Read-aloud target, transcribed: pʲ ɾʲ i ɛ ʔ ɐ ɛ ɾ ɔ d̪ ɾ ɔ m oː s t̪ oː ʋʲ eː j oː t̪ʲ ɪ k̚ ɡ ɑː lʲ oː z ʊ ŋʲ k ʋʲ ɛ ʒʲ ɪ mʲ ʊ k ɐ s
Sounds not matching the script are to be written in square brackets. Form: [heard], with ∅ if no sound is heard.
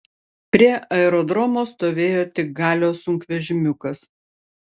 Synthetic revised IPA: pʲ ɾʲ i ɛ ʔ ɐ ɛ ɾ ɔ d̪ ɾ ɔ m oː s t̪ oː ʋʲ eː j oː t̪ʲ ɪ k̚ ɡ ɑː lʲ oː [s] ʊ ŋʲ k ʋʲ ɛ ʒʲ ɪ mʲ ʊ k ɐ s

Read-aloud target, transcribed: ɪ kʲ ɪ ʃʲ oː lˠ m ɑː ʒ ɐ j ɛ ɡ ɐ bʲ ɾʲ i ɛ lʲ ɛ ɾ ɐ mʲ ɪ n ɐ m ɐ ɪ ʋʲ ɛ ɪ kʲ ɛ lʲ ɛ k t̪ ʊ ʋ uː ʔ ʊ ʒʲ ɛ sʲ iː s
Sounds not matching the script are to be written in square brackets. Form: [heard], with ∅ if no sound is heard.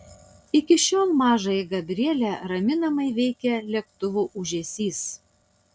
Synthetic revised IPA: ɪ kʲ ɪ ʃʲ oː lˠ m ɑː ʒ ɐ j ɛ ɡ ɐ bʲ ɾʲ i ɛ lʲ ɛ ɾ ɐ mʲ ɪ n ɐ m ɐ ɪ ʋʲ ɛ ɪ kʲ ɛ lʲ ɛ k t̪ ʊ ʋ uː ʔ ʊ ʒʲ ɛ sʲ iː s

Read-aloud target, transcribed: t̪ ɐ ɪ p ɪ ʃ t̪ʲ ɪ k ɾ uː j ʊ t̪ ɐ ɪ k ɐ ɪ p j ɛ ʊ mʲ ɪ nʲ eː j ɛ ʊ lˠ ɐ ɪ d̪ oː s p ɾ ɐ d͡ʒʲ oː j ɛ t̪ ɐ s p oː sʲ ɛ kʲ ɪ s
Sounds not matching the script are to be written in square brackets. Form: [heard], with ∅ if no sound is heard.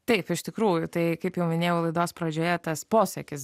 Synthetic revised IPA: t̪ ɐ ɪ p ɪ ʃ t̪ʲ ɪ k ɾ uː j ʊ t̪ ɐ ɪ k ɐ ɪ p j ɛ ʊ mʲ ɪ nʲ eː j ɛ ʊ lˠ ɐ ɪ d̪ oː s p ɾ ɐ d͡ʒʲ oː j ɛ t̪ ɐ s p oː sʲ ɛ kʲ ɪ s

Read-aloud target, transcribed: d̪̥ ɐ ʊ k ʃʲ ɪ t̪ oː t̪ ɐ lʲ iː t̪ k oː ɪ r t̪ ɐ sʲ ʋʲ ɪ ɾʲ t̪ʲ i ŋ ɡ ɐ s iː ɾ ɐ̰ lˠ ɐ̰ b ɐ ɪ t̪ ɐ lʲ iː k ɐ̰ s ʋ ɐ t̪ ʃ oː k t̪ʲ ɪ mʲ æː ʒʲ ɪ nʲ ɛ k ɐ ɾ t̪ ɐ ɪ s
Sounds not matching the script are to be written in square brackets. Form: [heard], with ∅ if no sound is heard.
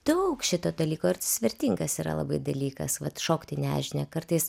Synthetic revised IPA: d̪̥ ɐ ʊ k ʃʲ ɪ t̪ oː [d̪] ɐ lʲ iː [∅] k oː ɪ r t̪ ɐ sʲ ʋʲ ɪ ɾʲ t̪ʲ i ŋ ɡ ɐ s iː ɾ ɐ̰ lˠ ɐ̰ b ɐ ɪ [d̪] ɐ lʲ iː k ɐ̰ s ʋ ɐ t̪ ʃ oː k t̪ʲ ɪ [nʲ] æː ʒʲ ɪ nʲ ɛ k ɐ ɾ t̪ ɐ ɪ s

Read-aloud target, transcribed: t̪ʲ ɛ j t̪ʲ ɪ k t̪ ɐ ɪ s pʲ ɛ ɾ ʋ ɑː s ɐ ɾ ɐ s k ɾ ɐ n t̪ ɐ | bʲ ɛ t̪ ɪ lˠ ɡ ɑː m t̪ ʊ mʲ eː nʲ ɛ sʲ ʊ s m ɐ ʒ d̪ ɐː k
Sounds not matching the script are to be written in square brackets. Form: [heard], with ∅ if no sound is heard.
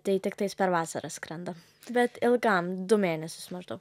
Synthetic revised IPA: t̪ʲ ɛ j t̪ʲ ɪ k t̪ ɐ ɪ s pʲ ɛ ɾ ʋ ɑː s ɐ ɾ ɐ s k ɾ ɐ n [d̪] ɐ | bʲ ɛ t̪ ɪ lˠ ɡ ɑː m [d̪] ʊ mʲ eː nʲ ɛ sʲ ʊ s m ɐ ʒ d̪ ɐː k

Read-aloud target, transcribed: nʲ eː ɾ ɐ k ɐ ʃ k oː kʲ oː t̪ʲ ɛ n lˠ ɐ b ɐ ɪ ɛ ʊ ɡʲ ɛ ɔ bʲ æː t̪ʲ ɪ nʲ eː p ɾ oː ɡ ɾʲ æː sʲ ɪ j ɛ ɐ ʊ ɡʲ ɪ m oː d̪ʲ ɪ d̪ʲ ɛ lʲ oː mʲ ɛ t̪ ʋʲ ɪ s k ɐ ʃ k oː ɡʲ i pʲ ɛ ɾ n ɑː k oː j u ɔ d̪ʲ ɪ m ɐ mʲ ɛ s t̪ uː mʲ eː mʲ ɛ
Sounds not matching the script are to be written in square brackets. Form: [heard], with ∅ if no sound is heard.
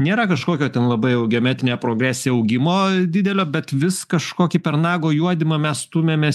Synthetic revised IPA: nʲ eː ɾ ɐ k ɐ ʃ k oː kʲ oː t̪ʲ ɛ n lˠ ɐ b ɐ ɪ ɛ ʊ ɡʲ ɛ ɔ [mʲ] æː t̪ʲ ɪ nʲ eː p ɾ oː ɡ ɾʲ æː sʲ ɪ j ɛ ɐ ʊ ɡʲ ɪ m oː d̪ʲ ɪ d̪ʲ ɛ lʲ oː [bʲ] ɛ t̪ ʋʲ ɪ s k ɐ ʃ k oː [kʲ] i pʲ ɛ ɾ n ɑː [ɡ] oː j u ɔ d̪ʲ ɪ m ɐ mʲ ɛ s t̪ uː mʲ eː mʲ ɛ

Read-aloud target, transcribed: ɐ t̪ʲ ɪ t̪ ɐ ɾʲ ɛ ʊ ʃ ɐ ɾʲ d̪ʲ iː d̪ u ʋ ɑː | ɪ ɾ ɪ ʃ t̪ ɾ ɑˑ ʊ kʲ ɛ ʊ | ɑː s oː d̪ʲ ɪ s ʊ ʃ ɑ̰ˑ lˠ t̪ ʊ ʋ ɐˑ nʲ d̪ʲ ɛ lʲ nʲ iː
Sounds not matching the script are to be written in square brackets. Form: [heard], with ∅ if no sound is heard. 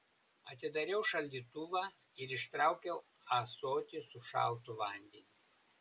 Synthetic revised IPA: ɐ t̪ʲ ɪ [d̪] ɐ ɾʲ ɛ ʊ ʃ ɐ [lʲ] d̪ʲ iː [t̪] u ʋ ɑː | ɪ ɾ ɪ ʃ t̪ ɾ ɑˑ ʊ kʲ ɛ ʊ | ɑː s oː [t̪ʲ] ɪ s ʊ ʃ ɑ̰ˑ lˠ t̪ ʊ ʋ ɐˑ nʲ d̪ʲ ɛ [∅] nʲ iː

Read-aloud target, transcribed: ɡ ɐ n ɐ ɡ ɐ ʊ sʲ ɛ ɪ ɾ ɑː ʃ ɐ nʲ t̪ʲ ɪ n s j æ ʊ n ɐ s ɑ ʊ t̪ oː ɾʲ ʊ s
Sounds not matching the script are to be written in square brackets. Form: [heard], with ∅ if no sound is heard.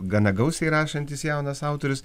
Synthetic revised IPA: ɡ ɐ n ɐ ɡ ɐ ʊ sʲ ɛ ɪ ɾ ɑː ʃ ɐ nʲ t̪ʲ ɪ [∅] s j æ ʊ n ɐ s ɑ ʊ t̪ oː ɾʲ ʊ s

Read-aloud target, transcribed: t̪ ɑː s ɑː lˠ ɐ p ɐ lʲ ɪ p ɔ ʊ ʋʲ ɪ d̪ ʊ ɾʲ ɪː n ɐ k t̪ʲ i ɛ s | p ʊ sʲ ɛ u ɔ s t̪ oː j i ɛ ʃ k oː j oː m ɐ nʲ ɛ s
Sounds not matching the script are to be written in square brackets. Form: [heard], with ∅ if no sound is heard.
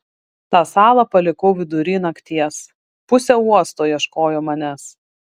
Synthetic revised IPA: t̪ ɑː s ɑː lˠ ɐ p ɐ lʲ ɪ [k] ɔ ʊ ʋʲ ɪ d̪ ʊ ɾʲ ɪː n ɐ k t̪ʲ i ɛ s | p ʊ sʲ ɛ u ɔ s t̪ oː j i ɛ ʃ k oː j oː m ɐ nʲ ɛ s

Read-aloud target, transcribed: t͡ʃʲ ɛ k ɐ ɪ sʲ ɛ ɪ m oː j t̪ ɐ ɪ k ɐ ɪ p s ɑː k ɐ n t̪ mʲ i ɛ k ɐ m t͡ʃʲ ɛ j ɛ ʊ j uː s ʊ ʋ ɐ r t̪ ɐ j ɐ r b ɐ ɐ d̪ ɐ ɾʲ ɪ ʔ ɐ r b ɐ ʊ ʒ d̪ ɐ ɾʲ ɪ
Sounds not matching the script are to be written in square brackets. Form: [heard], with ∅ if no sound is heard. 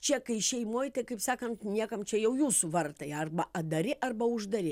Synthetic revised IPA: t͡ʃʲ ɛ k ɐ ɪ [ʃʲ] ɛ ɪ m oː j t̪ ɐ ɪ k ɐ ɪ p s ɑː k ɐ n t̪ [nʲ] i ɛ k ɐ m t͡ʃʲ ɛ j ɛ ʊ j uː s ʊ ʋ ɐ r t̪ ɐ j ɐ r b ɐ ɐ d̪ ɐ ɾʲ ɪ ʔ ɐ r b ɐ ʊ ʒ d̪ ɐ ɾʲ ɪ

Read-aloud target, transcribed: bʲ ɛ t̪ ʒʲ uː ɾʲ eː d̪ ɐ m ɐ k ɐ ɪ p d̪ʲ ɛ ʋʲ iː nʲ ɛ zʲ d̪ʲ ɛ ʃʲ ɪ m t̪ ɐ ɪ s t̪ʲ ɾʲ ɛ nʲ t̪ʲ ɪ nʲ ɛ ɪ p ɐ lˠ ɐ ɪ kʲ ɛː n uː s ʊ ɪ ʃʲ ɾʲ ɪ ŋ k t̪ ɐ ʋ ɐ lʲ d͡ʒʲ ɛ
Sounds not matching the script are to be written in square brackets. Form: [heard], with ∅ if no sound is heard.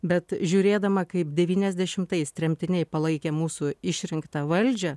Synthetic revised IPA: bʲ ɛ t̪ ʒʲ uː ɾʲ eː d̪ ɐ m ɐ k ɐ ɪ p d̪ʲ ɛ ʋʲ iː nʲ ɛ zʲ d̪ʲ ɛ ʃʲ ɪ m t̪ ɐ ɪ s t̪ʲ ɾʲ ɛ [mʲ] t̪ʲ ɪ nʲ ɛ ɪ p ɐ lˠ ɐ ɪ kʲ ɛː [m] uː s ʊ ɪ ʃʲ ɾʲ ɪ ŋ k t̪ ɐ ʋ ɐ lʲ d͡ʒʲ ɛ

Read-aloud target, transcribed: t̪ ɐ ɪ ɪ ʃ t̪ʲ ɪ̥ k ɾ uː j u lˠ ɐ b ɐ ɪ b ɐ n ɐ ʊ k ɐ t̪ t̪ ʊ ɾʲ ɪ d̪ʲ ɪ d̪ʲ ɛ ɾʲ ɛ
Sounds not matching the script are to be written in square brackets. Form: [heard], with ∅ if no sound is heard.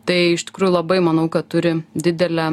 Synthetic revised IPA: t̪ ɐ ɪ ɪ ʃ t̪ʲ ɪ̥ k ɾ uː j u lˠ ɐ b ɐ ɪ [m] ɐ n ɐ ʊ k ɐ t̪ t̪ ʊ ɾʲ ɪ d̪ʲ ɪ d̪ʲ ɛ [lʲ] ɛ

